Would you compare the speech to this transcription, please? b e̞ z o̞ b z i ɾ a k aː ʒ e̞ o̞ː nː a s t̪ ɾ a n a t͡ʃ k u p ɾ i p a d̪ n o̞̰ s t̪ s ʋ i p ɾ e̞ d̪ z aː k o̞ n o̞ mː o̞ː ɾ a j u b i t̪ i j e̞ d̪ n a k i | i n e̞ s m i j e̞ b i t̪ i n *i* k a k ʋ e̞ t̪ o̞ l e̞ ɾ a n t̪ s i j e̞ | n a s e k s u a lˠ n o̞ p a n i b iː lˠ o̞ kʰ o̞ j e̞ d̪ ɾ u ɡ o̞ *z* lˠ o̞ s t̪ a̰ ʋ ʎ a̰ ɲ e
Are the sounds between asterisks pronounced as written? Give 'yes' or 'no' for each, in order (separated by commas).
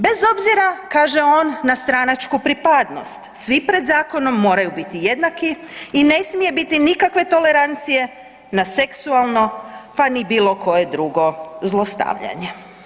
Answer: yes, yes